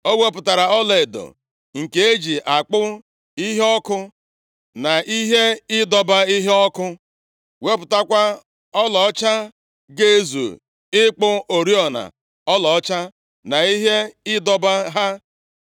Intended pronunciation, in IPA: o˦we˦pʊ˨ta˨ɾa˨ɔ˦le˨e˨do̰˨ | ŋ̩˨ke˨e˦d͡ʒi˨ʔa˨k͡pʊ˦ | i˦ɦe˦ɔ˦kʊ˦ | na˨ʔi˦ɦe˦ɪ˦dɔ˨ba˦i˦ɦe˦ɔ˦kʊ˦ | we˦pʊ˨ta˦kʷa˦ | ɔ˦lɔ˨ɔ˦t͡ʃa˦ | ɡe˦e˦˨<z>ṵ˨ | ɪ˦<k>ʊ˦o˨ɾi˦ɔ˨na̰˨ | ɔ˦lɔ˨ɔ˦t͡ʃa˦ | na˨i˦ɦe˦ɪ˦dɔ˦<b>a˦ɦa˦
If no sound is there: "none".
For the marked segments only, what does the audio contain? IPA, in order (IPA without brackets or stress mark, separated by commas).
z, k͡p, b